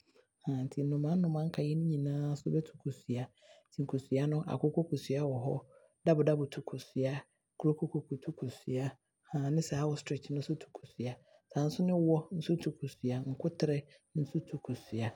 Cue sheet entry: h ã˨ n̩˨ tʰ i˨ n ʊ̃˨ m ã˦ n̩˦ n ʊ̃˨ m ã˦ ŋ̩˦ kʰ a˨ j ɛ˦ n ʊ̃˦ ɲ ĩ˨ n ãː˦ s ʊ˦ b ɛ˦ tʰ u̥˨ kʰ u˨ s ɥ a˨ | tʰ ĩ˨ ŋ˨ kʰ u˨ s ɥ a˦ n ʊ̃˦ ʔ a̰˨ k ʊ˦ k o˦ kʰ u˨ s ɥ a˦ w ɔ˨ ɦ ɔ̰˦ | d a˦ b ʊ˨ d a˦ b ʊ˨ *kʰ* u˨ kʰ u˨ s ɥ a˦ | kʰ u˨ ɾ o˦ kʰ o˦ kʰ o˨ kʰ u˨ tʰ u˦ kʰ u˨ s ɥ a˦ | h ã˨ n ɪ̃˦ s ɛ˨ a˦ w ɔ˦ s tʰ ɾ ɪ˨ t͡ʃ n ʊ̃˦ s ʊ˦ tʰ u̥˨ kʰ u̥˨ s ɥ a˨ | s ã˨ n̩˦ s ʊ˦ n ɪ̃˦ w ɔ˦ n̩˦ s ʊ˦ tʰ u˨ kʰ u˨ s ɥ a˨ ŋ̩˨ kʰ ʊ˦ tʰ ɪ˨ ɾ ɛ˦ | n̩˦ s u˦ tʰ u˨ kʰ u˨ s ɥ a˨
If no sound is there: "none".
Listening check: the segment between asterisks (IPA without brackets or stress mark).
tʰ